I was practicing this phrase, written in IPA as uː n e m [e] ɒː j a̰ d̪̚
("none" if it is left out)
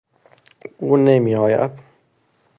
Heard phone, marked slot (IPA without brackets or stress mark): i